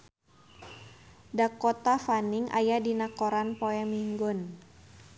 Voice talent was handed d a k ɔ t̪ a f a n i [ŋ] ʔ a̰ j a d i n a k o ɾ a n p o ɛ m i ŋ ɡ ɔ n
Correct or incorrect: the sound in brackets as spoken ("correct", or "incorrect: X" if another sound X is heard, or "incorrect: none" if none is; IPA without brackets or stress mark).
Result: correct